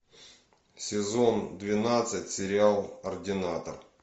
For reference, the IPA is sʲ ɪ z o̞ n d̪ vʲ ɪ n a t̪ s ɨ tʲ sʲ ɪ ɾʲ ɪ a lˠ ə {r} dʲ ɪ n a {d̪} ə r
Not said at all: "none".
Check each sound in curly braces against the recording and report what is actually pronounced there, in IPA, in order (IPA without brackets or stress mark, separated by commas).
r, t̪